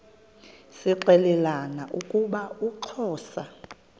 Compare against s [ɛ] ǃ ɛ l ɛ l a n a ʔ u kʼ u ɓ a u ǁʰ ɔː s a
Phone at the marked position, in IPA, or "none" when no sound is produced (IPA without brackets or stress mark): i